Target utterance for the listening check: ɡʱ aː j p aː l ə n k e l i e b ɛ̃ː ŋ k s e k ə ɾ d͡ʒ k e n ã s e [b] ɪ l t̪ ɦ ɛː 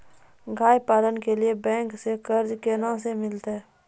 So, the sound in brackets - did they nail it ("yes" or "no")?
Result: no